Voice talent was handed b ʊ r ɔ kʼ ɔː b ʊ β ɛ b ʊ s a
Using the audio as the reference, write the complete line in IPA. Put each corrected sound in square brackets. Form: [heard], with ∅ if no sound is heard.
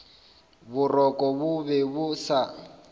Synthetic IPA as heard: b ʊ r ɔ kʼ [ɔ] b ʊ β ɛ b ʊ s a